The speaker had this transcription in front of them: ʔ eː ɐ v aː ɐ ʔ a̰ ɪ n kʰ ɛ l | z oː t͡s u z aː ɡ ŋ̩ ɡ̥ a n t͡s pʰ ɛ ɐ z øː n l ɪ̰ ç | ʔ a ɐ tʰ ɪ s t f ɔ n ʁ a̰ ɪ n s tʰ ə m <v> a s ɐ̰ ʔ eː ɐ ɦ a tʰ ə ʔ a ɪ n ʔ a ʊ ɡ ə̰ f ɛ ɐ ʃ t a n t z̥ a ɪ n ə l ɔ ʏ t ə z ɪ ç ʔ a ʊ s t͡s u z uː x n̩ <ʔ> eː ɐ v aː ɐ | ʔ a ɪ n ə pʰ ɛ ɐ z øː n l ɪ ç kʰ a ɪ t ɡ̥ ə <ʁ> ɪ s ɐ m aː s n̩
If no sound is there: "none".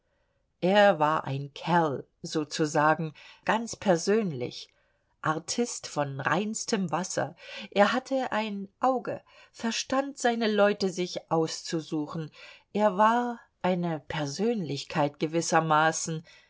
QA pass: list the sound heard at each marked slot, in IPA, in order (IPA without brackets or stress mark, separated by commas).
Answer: v, ʔ, v